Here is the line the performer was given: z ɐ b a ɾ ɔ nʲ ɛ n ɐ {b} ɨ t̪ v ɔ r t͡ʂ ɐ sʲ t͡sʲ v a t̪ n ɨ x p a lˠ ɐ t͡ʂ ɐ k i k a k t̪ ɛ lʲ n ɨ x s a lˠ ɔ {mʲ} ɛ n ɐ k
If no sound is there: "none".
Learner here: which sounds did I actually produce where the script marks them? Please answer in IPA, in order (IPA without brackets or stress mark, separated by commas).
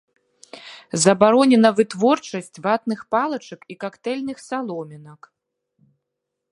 v, mʲ